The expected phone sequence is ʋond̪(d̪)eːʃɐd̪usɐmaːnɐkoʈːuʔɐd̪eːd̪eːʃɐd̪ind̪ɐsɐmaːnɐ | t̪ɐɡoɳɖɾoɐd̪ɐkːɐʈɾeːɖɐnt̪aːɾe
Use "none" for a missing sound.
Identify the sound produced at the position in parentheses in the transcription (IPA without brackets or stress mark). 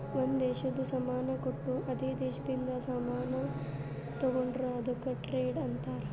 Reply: d̪